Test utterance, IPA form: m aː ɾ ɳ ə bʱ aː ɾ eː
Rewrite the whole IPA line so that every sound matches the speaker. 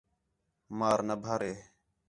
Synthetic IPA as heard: m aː ɾ n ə bʱ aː ɾ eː